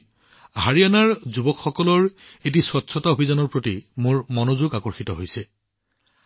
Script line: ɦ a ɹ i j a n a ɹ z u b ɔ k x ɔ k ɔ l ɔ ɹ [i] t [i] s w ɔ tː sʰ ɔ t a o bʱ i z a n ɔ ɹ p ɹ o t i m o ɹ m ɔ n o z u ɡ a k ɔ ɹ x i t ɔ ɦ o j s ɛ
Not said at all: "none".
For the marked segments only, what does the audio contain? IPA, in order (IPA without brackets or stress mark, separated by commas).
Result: e, i